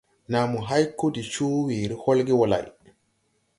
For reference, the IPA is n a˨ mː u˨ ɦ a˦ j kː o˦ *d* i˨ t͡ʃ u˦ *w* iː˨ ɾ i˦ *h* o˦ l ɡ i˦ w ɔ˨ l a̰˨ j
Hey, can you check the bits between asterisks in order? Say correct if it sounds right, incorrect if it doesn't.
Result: correct, correct, correct

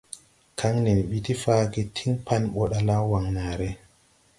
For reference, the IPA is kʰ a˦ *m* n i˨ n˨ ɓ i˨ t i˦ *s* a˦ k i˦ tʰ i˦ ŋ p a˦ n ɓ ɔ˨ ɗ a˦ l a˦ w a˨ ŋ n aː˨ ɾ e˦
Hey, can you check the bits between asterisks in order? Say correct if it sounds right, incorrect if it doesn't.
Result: incorrect: ŋ, incorrect: f

